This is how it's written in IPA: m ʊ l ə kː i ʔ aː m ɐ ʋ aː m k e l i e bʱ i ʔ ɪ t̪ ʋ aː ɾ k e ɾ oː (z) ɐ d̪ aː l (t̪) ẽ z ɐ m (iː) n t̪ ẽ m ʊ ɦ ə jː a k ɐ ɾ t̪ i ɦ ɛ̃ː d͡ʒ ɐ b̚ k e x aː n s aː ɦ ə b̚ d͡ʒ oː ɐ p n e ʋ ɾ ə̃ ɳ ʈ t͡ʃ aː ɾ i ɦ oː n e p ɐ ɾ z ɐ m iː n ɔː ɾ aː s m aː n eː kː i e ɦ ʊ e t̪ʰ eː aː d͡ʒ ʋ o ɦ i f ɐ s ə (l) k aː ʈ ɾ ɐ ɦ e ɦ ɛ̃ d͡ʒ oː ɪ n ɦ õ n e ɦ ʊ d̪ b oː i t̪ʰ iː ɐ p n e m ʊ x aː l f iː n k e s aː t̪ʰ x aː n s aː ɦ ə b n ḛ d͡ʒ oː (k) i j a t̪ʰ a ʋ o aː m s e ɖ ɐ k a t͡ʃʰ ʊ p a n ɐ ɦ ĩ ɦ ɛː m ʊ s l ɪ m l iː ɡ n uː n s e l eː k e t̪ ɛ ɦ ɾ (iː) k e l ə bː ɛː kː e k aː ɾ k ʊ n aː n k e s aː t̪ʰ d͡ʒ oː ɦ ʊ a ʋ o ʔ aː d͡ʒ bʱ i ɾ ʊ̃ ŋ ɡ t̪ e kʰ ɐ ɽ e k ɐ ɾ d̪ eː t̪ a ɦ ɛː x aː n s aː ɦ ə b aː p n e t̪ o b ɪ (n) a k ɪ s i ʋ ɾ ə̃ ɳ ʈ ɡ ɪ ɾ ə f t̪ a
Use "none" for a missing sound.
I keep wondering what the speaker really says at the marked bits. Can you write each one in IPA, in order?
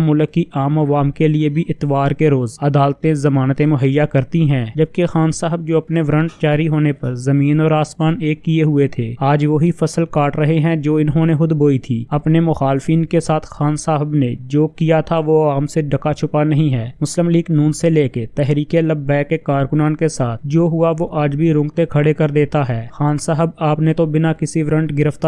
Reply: z, t̪, aː, l, k, iː, n

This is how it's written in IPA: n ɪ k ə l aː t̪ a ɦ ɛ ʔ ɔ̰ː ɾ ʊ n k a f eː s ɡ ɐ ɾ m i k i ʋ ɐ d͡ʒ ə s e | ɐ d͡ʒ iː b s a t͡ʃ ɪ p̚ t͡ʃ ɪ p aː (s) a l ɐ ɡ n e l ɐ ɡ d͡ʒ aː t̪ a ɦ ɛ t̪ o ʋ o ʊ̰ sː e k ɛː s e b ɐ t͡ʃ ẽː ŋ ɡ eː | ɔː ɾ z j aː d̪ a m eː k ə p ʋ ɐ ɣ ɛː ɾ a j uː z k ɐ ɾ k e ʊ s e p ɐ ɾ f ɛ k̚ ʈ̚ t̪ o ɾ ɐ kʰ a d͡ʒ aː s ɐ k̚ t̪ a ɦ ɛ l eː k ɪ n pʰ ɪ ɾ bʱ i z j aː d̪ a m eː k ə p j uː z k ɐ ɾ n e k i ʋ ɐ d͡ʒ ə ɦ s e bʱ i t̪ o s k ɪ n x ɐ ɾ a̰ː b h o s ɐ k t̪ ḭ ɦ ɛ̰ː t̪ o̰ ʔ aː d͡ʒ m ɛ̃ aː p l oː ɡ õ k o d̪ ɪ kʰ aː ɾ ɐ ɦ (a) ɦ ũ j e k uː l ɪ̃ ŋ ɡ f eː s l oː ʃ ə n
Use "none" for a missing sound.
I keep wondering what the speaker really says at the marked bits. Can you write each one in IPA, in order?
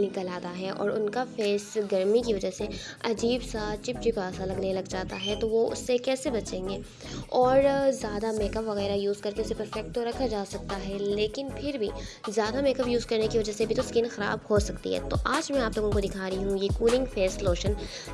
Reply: s, i

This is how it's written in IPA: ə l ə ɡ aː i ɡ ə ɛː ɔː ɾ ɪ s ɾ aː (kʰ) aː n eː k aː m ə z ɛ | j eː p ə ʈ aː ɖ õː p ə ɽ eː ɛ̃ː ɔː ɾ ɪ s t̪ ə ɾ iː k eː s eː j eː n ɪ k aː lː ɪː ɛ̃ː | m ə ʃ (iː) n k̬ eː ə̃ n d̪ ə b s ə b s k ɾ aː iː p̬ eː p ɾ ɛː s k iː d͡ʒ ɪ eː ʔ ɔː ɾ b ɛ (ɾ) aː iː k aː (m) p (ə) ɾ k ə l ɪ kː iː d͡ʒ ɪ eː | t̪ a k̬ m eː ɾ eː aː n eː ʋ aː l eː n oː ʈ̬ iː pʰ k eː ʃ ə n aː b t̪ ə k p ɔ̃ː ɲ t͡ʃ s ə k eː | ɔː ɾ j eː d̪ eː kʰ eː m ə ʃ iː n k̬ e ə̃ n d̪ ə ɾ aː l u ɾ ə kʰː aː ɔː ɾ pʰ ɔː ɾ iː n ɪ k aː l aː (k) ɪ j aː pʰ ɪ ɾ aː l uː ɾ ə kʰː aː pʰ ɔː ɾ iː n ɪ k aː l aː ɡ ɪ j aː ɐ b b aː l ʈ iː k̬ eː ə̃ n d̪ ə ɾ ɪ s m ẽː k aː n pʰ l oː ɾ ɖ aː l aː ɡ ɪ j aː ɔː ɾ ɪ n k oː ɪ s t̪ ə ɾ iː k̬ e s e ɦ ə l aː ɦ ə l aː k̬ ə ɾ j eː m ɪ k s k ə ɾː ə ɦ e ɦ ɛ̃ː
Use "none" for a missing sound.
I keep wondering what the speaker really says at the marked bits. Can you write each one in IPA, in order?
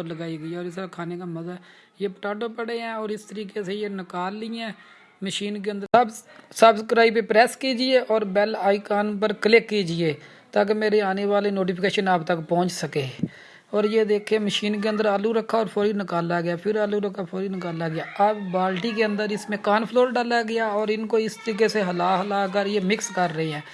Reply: kʰ, iː, l, n, ə, ɡ

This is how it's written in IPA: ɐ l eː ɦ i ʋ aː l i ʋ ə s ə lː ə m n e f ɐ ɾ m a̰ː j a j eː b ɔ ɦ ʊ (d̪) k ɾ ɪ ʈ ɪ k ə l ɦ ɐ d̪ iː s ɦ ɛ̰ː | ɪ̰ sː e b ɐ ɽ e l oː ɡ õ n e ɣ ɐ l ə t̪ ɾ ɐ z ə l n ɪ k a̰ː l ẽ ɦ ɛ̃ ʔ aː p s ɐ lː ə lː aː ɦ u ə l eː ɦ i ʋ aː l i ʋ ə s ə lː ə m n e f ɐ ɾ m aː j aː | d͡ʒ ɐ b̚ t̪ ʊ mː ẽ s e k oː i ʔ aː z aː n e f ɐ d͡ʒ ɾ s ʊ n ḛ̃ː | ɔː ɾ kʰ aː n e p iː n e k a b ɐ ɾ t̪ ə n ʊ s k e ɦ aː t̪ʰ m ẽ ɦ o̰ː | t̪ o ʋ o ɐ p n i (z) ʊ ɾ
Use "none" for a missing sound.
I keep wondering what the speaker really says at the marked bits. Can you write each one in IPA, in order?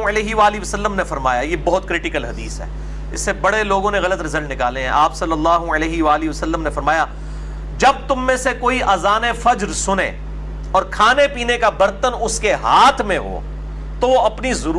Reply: t̪, z

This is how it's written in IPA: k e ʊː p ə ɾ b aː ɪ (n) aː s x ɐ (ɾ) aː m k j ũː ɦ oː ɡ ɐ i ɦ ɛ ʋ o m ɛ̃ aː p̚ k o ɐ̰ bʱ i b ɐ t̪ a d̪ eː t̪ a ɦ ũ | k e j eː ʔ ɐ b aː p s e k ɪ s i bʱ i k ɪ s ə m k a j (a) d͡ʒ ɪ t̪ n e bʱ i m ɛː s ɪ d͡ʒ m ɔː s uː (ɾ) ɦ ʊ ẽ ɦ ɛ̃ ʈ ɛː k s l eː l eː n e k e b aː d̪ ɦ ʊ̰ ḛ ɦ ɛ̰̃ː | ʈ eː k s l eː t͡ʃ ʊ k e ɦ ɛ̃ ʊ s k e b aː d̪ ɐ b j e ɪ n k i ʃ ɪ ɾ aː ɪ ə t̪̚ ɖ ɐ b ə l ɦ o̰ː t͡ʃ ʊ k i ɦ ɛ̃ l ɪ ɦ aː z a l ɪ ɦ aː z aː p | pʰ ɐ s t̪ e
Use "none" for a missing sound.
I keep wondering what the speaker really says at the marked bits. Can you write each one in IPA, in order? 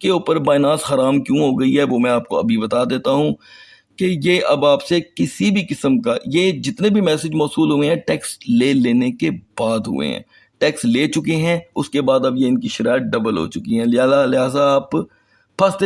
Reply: n, ɾ, e, l

